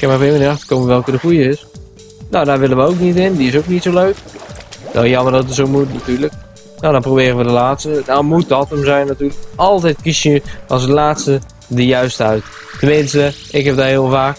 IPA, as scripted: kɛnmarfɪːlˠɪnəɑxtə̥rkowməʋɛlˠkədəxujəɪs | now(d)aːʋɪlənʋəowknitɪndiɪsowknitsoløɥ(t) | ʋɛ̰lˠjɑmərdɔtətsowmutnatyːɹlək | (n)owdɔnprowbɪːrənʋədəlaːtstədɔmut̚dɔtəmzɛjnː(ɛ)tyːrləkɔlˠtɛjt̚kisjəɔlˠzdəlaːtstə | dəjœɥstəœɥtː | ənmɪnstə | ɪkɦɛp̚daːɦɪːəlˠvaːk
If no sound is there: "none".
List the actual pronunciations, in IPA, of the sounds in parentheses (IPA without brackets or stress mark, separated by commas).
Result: d, k, n, a